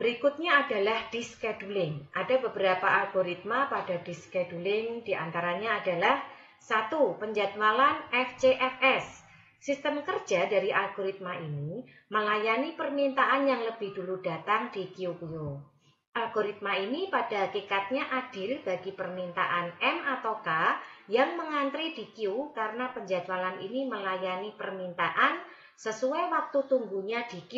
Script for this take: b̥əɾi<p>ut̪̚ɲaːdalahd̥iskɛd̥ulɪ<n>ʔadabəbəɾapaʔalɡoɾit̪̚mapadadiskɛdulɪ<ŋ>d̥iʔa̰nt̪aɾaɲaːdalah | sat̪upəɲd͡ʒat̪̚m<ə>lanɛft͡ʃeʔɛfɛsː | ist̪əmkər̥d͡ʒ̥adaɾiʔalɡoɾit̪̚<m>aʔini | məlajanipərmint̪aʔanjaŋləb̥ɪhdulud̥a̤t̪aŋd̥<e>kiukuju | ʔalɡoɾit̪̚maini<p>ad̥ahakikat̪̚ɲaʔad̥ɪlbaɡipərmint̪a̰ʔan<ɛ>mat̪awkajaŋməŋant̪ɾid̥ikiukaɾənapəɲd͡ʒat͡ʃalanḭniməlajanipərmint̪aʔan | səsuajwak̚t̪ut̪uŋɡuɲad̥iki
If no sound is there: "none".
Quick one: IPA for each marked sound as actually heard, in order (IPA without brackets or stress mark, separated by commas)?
k, ŋ, ŋ, a, m, i, p, ɛ